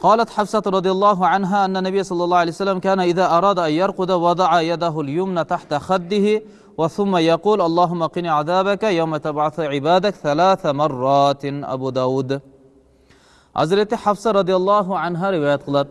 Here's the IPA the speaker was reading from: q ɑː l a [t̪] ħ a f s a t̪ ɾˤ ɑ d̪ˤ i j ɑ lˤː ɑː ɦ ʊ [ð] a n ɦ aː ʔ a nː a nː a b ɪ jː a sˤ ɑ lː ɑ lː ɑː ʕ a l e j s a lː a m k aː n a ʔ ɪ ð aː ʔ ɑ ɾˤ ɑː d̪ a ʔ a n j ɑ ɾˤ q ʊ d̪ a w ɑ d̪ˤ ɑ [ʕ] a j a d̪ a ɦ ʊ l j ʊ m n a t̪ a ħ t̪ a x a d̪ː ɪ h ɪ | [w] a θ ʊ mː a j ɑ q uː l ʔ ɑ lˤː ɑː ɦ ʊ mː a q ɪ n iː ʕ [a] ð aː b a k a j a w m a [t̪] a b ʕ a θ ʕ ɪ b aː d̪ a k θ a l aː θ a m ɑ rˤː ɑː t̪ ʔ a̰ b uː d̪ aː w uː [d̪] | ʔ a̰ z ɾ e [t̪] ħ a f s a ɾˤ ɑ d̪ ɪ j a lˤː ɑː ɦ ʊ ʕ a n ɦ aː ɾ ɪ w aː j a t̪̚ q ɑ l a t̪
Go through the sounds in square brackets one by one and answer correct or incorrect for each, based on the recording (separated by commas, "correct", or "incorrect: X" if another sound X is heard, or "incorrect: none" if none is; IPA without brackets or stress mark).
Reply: correct, incorrect: ʕ, correct, correct, correct, correct, correct, correct